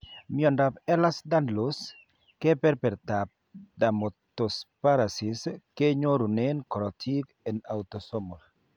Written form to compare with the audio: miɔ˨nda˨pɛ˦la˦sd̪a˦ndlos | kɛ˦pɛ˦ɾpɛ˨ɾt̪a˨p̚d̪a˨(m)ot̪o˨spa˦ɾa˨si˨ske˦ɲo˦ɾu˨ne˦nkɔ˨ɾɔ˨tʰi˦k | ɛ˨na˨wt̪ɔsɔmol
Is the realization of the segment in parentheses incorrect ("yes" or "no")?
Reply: no